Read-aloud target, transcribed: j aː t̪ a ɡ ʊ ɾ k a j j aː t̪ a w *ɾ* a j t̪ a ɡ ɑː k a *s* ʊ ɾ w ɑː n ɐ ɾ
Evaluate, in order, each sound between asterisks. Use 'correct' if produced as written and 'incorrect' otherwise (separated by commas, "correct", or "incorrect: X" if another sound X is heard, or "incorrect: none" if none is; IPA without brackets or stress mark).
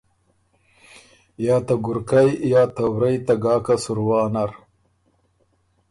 correct, correct